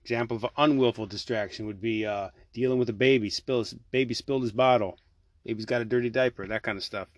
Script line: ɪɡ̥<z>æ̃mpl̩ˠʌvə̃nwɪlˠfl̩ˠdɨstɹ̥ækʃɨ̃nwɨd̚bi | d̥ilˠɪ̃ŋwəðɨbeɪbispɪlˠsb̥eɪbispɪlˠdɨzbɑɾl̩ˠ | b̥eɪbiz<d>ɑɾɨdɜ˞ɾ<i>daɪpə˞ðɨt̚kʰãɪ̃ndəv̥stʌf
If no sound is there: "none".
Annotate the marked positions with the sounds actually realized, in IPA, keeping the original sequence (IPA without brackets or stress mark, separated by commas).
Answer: z, ɡ, i